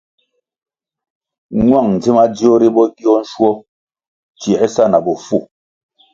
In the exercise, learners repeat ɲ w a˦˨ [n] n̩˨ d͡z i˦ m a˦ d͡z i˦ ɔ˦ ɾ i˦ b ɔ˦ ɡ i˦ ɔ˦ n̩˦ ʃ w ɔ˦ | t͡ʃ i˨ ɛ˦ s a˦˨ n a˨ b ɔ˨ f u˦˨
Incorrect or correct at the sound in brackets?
incorrect: ŋ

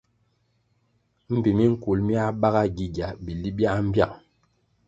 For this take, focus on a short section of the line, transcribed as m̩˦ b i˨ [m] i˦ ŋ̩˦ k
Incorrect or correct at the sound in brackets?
correct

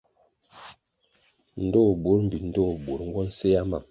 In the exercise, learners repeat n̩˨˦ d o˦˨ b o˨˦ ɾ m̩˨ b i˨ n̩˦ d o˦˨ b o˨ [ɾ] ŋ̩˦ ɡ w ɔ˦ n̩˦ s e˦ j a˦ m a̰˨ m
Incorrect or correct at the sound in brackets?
correct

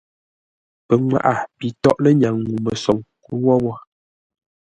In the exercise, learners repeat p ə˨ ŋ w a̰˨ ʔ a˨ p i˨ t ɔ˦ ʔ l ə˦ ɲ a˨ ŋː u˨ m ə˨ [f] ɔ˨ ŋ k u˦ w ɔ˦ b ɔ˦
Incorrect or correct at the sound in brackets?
incorrect: s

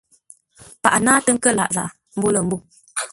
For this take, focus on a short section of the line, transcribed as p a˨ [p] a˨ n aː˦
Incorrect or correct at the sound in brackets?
incorrect: ʔ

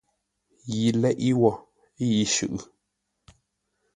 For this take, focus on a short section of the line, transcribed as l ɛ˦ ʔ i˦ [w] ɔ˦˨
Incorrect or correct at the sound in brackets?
correct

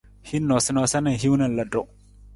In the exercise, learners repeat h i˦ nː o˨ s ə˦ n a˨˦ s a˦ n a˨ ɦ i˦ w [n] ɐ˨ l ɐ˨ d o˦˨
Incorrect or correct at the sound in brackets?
correct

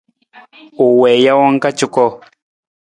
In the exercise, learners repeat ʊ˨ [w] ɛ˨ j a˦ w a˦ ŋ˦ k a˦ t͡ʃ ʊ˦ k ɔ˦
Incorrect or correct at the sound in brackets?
correct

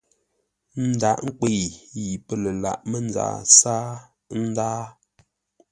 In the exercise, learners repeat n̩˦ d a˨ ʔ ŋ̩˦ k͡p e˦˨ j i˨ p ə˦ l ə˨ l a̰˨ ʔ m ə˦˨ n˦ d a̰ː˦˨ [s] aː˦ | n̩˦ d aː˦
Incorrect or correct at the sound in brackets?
correct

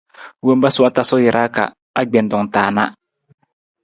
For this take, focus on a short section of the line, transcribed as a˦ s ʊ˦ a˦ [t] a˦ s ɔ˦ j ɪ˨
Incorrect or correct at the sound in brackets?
correct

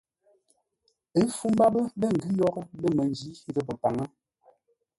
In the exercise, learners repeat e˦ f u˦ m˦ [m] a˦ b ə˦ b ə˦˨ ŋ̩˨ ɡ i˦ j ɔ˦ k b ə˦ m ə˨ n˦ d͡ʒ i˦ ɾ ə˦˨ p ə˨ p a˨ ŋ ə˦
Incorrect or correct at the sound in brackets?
incorrect: b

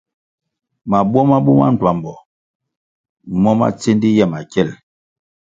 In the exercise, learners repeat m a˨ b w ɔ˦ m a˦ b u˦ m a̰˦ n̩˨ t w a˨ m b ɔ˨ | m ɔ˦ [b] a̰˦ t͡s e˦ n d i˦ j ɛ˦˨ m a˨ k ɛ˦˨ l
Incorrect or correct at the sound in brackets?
incorrect: m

